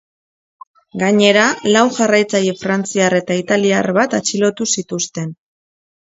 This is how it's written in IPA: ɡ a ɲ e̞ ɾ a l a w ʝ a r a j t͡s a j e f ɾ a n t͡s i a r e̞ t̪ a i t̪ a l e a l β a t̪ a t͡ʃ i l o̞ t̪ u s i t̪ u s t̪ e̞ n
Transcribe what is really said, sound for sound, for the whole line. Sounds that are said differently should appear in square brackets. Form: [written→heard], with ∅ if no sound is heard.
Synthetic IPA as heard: ɡ a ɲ e̞ ɾ a l a w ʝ a r a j t͡s a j e f ɾ a n t͡s i a r e̞ t̪ a i t̪ a l [e→i] a [l→r] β a t̪ a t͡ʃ i l o̞ t̪ u s i t̪ u s t̪ e̞ n